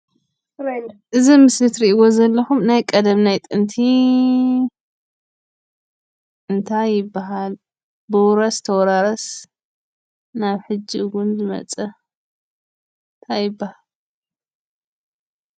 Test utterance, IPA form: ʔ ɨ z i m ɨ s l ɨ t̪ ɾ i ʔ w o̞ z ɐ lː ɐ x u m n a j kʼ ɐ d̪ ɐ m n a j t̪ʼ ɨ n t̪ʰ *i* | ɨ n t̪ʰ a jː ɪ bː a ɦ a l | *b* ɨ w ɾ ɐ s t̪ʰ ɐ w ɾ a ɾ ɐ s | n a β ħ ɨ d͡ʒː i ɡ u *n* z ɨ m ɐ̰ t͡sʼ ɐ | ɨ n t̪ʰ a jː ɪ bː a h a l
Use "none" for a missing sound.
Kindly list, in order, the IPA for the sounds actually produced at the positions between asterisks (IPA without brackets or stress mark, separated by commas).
i, b, n